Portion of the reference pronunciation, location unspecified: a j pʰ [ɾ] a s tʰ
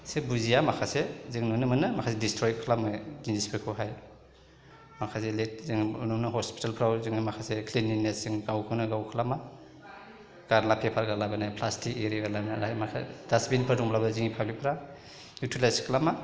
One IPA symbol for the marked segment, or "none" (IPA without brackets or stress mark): l